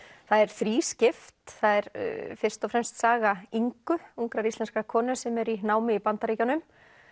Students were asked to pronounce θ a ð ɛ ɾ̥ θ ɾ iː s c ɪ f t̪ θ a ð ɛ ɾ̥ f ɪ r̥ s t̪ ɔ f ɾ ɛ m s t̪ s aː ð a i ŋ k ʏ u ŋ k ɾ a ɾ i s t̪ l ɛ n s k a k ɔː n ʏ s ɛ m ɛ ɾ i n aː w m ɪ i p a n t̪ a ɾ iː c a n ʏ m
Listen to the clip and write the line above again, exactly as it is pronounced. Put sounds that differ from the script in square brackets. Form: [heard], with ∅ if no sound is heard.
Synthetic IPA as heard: θ a ð ɛ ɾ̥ θ ɾ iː s c ɪ f t̪ θ a ð ɛ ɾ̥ f ɪ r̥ s t̪ ɔ f ɾ ɛ m s t̪ s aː [ɣ] a i ŋ k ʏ u ŋ k ɾ a ɾ i s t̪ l ɛ n s k a [kʰ] ɔː n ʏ s ɛ m ɛ ɾ i n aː w m ɪ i p a n t̪ a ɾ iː c a n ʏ m